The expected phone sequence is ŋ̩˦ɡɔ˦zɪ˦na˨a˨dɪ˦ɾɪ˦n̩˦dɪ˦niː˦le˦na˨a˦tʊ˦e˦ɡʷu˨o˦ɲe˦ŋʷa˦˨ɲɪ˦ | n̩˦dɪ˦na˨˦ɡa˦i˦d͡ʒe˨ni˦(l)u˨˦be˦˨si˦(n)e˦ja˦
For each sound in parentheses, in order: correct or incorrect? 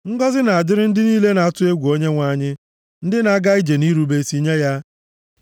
incorrect, incorrect

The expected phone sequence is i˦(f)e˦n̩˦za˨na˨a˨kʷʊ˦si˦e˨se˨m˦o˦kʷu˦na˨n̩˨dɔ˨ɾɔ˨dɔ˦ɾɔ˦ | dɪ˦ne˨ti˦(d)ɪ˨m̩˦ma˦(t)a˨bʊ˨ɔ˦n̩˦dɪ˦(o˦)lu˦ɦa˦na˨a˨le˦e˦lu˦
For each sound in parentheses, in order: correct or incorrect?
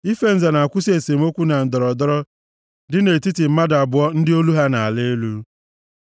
correct, incorrect, incorrect, correct

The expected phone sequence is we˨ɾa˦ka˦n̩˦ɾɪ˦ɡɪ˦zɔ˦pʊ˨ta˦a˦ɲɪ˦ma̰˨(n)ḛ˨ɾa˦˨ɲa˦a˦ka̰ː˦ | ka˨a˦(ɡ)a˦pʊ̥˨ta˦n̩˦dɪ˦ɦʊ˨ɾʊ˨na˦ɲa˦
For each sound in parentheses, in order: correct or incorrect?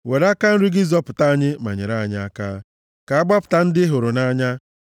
incorrect, incorrect

